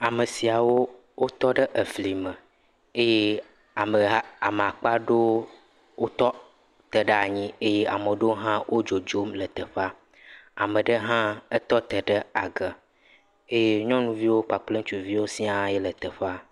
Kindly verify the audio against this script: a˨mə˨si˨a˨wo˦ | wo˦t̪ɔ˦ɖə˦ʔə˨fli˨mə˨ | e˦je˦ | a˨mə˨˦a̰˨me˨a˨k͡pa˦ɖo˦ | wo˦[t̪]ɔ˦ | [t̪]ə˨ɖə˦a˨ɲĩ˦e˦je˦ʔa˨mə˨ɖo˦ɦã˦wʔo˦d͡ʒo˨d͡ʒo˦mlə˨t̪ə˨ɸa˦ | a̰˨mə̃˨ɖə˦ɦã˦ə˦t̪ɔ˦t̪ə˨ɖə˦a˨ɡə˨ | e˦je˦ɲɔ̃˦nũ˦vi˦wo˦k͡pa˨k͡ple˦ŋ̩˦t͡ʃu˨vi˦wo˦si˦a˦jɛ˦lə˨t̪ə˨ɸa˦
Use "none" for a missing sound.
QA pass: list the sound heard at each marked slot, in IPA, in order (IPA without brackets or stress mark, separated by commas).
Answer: t̪, t̪